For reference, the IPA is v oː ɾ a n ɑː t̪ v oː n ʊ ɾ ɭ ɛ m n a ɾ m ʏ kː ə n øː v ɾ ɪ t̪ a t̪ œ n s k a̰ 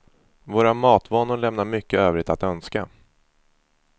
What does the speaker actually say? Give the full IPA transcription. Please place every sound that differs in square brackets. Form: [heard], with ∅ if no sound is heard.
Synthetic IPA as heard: v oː ɾ a [m] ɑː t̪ v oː n ʊ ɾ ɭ ɛ m n a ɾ m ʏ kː ə [∅] øː v ɾ ɪ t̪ a t̪ œ n s k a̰